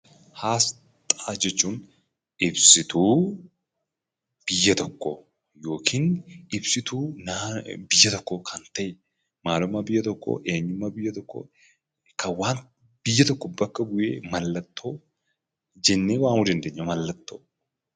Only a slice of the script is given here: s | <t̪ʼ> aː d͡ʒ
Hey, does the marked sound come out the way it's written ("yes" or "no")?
yes